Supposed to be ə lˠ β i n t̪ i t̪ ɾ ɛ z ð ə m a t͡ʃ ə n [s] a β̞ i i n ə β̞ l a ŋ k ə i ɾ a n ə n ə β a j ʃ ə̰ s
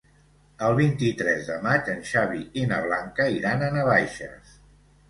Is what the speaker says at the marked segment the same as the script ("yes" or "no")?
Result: no